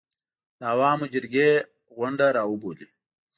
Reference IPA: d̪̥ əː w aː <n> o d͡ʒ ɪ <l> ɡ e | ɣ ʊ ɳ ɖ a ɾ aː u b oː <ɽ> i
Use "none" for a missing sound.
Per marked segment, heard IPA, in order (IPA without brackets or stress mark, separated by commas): m, ɾ, l